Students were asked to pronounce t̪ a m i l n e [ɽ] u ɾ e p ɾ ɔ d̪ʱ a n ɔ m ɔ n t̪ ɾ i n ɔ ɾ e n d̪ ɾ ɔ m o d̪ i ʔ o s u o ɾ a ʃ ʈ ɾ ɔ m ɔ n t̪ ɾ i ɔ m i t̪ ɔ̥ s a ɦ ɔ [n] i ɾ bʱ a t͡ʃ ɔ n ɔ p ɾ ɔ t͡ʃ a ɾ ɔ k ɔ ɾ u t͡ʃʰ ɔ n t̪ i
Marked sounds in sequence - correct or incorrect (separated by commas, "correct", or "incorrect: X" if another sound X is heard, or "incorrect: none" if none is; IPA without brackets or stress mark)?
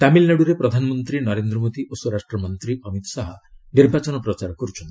correct, correct